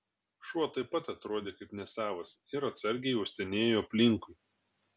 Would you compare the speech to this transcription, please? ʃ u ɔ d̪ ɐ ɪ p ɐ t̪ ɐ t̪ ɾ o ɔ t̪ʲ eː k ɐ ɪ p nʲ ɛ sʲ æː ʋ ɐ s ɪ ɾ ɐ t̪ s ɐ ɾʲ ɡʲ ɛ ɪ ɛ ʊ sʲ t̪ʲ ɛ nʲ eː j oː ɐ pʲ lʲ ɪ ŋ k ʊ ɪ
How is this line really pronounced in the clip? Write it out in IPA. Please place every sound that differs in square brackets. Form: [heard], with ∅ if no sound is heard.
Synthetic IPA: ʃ u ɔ [t̪] ɐ ɪ p ɐ t̪ ɐ t̪ ɾ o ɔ [d̪ʲ] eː k ɐ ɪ p nʲ ɛ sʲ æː ʋ ɐ s ɪ ɾ ɐ t̪ s ɐ ɾʲ ɡʲ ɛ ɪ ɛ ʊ sʲ t̪ʲ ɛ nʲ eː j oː ɐ pʲ lʲ ɪ ŋ k ʊ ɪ